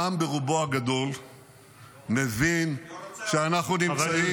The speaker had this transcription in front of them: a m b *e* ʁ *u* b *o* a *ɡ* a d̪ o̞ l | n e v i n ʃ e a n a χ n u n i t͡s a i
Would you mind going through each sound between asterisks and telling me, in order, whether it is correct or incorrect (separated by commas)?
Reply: correct, correct, correct, correct